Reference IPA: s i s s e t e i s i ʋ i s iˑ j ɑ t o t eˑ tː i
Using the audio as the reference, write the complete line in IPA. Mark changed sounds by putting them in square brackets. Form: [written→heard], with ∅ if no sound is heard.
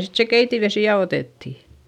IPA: s i [s→t] s e [t→k] e i [s→t] i ʋ [i→e] s iˑ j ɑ [t→∅] o t eˑ tː i